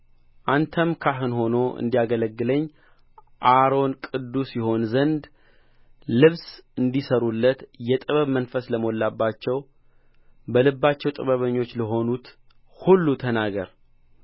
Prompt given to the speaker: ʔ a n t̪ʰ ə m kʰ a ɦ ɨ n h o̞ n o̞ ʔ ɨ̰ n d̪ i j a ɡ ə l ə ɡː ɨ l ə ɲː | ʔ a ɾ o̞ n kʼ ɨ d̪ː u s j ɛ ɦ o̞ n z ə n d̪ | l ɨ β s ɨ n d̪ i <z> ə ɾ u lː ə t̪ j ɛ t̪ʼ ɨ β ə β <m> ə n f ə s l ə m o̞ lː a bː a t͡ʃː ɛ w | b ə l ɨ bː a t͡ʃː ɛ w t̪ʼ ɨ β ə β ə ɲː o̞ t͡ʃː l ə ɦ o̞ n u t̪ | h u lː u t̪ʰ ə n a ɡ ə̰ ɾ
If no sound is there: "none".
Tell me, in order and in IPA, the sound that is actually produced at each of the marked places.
s, m

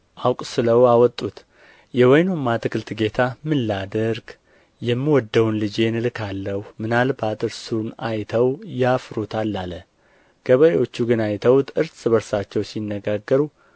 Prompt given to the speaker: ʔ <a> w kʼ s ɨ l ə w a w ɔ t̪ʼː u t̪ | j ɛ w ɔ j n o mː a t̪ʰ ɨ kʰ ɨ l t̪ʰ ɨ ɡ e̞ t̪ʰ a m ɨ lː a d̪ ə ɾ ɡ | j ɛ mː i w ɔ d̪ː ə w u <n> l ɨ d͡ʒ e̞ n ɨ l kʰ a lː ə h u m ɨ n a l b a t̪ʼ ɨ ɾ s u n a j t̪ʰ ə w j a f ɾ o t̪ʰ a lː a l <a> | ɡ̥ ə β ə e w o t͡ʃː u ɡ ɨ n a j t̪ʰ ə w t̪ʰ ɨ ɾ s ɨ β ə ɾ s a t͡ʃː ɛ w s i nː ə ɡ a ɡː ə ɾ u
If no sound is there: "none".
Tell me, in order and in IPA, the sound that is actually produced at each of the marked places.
a, n, ə

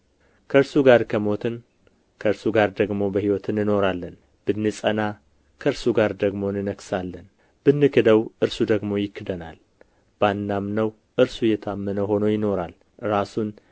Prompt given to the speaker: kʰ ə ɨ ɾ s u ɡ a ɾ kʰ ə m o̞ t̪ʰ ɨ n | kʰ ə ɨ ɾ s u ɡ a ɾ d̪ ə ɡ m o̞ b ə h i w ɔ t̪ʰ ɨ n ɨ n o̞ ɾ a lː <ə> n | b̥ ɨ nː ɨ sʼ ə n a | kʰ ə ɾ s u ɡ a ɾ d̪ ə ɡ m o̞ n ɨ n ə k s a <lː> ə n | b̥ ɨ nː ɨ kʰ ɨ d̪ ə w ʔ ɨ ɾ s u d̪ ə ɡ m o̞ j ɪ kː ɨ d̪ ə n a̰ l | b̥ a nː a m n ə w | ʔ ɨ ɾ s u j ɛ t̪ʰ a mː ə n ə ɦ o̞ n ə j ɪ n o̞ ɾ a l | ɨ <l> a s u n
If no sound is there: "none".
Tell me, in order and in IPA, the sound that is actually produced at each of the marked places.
ə, lː, ɾ

